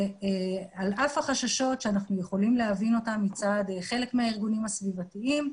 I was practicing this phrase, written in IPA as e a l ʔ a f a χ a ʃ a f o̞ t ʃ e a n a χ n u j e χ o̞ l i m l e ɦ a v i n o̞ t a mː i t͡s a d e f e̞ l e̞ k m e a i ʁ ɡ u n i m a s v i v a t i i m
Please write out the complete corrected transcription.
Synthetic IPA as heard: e a l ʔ a f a χ a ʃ a ʃ o̞ t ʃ e a n a χ n u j e χ o̞ l i m l e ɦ a v i n o̞ t a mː i t͡s a d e χ e̞ l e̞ k m e a i ʁ ɡ u n i m a s v i v a t i i m